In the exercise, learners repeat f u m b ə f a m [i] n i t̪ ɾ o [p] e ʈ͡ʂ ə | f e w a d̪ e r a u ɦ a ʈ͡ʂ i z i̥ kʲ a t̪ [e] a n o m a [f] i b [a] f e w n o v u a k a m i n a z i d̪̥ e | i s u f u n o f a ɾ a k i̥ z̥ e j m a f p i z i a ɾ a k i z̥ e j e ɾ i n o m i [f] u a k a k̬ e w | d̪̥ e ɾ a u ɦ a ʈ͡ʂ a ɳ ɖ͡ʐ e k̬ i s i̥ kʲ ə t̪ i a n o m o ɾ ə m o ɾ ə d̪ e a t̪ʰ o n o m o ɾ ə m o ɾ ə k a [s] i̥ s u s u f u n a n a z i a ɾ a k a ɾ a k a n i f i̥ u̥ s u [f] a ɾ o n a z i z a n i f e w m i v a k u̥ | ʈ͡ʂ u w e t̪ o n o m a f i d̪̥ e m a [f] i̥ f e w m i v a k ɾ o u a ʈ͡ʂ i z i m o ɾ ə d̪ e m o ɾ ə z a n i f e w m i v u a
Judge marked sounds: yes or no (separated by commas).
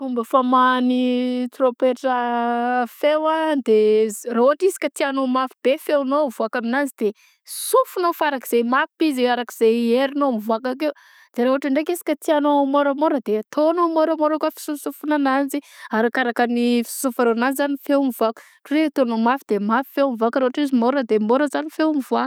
no, yes, no, yes, no, no, no, yes, yes